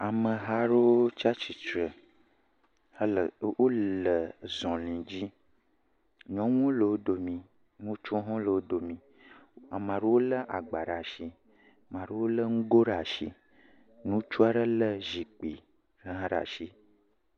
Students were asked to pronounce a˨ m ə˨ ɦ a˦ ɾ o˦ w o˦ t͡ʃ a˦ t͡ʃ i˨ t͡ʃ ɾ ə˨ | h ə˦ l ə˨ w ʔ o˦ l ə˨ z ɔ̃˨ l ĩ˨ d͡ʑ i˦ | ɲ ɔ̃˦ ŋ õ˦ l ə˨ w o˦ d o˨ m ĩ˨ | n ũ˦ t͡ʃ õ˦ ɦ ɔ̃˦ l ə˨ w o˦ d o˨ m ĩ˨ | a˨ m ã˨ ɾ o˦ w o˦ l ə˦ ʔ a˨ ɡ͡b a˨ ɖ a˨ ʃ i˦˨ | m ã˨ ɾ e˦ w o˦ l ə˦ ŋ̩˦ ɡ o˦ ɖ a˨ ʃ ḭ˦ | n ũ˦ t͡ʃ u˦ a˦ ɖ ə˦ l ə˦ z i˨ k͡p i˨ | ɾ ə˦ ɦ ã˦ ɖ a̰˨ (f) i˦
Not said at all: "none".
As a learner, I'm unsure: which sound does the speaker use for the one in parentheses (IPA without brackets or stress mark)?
ʃ